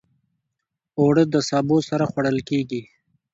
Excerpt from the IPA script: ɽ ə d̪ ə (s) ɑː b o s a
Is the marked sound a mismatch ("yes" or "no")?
no